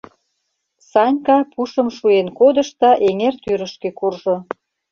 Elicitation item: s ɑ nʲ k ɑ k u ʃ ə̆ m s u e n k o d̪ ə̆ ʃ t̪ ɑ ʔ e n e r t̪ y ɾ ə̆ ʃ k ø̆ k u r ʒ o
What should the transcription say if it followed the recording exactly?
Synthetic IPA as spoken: s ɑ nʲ k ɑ p u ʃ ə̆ m ʃ u e n k o d̪ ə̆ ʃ t̪ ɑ ʔ e ŋ e r t̪ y ɾ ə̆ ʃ k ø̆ k u r ʒ o